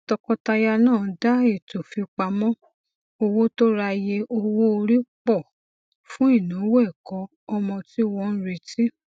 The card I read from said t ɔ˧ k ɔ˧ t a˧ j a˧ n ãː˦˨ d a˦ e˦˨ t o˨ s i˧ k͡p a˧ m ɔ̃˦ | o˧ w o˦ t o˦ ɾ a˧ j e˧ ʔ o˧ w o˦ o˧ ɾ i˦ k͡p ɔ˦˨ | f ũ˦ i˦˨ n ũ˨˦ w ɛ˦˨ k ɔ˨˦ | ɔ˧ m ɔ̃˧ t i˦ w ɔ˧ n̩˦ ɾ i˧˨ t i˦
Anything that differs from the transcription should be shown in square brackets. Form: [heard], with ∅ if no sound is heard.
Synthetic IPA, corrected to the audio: t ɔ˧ k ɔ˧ t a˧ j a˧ n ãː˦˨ d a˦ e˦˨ t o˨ [f] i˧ k͡p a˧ m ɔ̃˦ | o˧ w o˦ t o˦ ɾ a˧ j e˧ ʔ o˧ w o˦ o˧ ɾ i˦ k͡p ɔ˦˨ | f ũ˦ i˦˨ n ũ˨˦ w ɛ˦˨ k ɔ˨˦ | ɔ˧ m ɔ̃˧ t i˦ w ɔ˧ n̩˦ ɾ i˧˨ t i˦

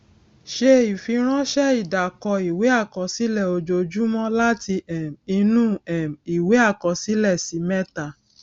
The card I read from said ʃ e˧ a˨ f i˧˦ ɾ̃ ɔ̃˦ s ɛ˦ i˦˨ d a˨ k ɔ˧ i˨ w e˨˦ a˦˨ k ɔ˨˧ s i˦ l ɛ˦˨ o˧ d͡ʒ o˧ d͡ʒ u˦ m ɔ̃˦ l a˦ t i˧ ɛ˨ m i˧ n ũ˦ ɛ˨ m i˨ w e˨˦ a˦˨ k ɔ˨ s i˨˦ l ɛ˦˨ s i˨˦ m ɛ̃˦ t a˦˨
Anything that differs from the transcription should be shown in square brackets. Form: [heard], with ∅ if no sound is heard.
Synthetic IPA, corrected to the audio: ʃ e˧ [i˨] f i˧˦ ɾ̃ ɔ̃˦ [ʃ] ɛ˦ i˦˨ d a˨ k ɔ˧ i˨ w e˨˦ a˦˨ k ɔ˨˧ s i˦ l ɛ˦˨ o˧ d͡ʒ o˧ d͡ʒ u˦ m ɔ̃˦ l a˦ t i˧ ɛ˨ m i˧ n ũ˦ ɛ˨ m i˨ w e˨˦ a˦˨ k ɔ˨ s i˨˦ l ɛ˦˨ s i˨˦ m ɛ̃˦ t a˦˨

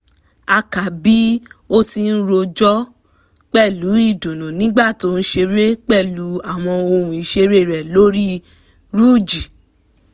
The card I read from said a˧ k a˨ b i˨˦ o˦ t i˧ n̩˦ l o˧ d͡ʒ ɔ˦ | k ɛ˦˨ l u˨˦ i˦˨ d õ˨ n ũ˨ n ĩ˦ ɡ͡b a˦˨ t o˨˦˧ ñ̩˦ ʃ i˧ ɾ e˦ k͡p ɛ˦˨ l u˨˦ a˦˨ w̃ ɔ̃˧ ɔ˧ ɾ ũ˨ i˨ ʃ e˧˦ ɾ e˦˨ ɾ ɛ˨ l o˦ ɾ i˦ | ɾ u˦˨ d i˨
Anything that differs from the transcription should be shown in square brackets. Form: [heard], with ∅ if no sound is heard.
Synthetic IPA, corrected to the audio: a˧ k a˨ b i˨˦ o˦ t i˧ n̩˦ [ɾ] o˧ d͡ʒ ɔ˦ | [k͡p] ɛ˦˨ l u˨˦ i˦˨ d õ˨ n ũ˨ n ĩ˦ ɡ͡b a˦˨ t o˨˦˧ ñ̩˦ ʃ [e˧] ɾ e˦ k͡p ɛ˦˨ l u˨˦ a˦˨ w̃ ɔ̃˧ [o˧] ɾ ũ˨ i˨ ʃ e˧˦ ɾ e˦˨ ɾ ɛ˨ l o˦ ɾ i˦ | ɾ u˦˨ [d͡ʒ] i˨

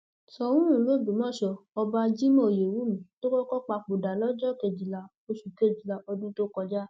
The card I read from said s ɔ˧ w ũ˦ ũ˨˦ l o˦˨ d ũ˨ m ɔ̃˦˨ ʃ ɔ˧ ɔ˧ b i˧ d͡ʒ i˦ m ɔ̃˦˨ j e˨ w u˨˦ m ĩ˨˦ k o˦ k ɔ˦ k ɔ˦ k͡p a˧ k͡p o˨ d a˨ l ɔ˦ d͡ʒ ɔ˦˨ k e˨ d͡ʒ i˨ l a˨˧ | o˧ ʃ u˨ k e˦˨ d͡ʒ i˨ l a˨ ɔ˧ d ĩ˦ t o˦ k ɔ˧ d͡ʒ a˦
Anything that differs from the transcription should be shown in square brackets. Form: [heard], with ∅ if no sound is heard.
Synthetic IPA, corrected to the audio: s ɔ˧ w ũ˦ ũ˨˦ l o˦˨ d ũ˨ m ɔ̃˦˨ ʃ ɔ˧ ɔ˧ b [a˧] d͡ʒ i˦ m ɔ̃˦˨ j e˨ w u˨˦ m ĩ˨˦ [t] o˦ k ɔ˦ k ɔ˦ k͡p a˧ k͡p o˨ d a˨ l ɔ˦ d͡ʒ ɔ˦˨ k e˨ d͡ʒ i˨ l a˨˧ | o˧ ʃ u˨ k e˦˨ d͡ʒ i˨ l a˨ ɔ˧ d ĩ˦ t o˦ k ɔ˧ d͡ʒ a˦

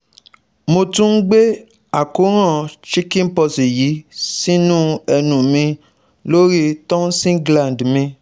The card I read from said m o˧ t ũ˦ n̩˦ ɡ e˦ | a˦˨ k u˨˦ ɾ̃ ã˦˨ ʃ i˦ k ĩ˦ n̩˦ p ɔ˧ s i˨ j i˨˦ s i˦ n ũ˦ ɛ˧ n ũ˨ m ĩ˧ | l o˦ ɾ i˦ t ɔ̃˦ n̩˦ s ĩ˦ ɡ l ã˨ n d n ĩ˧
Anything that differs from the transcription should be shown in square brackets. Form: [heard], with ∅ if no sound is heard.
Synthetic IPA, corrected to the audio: m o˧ t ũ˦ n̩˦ [ɡ͡b] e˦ | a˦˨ k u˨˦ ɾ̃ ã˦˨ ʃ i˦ k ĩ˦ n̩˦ p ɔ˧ s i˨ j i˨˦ s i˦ n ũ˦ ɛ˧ n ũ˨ m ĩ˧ | l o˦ ɾ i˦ t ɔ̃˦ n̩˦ s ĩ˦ ɡ l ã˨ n d [m] ĩ˧

